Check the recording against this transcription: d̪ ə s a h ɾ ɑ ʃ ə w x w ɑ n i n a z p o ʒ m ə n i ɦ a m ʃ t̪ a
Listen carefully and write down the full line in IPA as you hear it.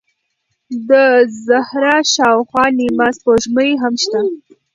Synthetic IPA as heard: d̪ ə z a h ɾ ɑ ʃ ɑ w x w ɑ n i m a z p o ʒ m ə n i ɦ a m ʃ t̪ a